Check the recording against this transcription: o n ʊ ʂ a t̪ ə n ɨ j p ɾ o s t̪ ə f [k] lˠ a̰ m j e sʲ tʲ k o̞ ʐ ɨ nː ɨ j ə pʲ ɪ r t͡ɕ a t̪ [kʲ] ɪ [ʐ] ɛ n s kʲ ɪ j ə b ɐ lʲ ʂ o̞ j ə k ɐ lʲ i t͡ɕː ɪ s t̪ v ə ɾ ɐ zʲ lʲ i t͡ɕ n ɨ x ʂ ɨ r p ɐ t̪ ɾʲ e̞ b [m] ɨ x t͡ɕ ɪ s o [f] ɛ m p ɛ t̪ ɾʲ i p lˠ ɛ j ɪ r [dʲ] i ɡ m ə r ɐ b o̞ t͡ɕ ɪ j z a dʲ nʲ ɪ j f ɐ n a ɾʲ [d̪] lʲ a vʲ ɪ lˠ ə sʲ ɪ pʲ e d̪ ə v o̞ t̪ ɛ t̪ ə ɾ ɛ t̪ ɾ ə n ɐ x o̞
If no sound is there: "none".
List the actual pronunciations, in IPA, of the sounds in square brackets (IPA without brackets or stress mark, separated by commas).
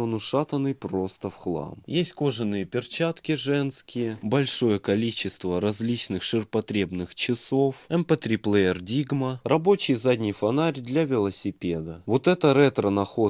x, kʲ, ʐ, n, f, dʲ, d̪